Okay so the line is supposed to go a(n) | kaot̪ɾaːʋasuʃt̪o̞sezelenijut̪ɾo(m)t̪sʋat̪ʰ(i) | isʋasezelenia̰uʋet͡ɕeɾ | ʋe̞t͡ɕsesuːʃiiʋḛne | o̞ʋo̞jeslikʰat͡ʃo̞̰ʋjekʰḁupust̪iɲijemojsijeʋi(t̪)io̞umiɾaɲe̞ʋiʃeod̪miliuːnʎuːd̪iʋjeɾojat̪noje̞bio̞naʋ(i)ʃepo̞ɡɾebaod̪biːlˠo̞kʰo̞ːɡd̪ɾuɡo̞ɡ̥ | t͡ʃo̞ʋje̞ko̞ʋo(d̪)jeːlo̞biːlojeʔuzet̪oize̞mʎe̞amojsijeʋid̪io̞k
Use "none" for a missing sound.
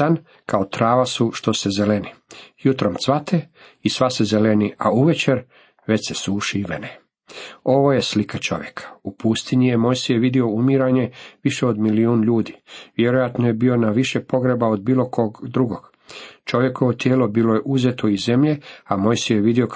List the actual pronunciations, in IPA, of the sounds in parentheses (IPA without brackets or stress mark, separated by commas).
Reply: n, m, e, d̪, i, t̪